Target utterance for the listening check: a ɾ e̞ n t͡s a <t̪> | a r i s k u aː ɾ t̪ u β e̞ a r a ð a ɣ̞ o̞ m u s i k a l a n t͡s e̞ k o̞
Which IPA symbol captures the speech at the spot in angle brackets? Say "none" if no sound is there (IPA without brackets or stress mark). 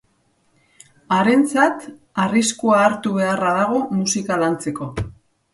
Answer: t̪